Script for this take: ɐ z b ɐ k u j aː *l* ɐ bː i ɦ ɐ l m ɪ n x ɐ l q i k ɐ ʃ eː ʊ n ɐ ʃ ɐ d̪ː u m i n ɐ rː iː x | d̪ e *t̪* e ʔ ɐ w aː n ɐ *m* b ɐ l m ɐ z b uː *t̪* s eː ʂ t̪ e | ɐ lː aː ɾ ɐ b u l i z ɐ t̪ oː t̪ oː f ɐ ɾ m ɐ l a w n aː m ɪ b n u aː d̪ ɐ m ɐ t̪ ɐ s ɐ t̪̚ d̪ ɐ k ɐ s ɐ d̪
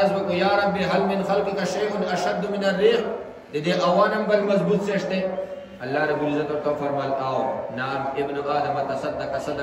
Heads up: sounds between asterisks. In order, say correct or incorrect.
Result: incorrect: ɾ, incorrect: d̪, correct, correct

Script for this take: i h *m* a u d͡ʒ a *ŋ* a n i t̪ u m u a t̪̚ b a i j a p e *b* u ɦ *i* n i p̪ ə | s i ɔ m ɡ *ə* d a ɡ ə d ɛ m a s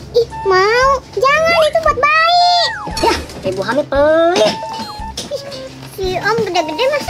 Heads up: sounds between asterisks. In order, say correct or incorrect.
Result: correct, correct, correct, incorrect: a, correct

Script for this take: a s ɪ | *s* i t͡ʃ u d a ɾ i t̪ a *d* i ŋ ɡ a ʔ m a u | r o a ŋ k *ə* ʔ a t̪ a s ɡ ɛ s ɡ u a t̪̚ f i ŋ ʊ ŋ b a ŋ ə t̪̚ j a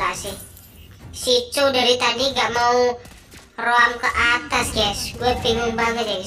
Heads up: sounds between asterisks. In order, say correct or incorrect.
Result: correct, correct, correct

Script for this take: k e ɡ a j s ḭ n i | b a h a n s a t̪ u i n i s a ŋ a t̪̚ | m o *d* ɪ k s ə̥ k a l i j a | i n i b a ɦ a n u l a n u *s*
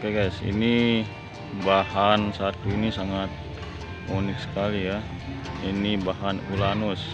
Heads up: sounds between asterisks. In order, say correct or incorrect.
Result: incorrect: n, correct

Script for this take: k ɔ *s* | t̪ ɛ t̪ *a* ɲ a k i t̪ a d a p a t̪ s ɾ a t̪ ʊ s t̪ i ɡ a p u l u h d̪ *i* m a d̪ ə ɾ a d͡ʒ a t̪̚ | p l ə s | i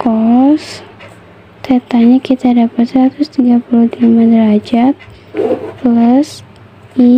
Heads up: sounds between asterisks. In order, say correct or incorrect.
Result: correct, correct, correct

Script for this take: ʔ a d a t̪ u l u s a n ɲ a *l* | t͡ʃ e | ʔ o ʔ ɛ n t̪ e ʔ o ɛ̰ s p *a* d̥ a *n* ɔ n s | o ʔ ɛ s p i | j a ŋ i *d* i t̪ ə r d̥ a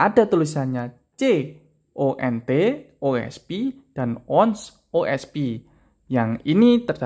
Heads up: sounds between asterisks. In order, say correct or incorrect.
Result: incorrect: none, incorrect: i, correct, incorrect: n

